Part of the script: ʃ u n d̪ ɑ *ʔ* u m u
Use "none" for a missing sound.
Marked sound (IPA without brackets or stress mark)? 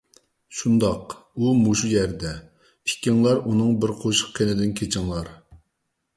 q